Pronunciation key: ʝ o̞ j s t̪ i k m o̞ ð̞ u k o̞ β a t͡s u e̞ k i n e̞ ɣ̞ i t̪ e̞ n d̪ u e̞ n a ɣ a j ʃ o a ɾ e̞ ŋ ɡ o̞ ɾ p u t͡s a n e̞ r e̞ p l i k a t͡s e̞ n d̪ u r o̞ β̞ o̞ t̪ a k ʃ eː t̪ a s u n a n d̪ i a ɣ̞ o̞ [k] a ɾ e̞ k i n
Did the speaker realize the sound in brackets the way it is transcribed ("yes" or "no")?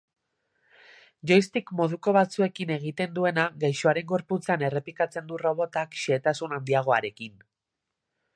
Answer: no